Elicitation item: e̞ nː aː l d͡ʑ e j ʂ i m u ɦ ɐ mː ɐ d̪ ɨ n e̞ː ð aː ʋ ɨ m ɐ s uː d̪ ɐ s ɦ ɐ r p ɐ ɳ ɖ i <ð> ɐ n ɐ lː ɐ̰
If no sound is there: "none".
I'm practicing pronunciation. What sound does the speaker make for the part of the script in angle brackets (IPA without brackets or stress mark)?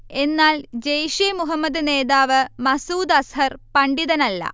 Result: ð